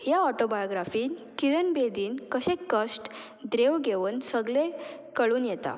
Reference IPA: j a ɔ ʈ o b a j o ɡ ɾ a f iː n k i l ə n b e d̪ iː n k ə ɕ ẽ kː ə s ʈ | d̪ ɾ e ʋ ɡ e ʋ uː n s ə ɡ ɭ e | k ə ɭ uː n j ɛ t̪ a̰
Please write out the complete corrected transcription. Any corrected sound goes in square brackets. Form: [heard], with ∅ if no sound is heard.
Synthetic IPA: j a ɔ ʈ o b a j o ɡ ɾ a f iː n k i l ə n b e d̪ iː n k ə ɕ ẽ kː ə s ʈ | d̪ ɾ e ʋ ɡ e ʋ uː n s ə ɡ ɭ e | k ə ɭ uː n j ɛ t̪ a̰